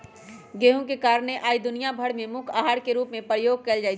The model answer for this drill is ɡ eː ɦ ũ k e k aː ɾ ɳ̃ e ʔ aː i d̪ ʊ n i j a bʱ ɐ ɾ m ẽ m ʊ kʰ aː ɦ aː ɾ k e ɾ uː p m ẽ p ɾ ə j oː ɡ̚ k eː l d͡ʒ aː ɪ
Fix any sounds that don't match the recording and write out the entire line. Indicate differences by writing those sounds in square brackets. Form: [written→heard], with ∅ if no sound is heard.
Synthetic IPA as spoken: ɡ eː ɦ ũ k e k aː ɾ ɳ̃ e ʔ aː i d̪ ʊ n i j a bʱ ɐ [ɾ→ɽ] m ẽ m ʊ kʰ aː ɦ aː ɾ k e ɾ uː p m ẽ p ɾ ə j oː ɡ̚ k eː l d͡ʒ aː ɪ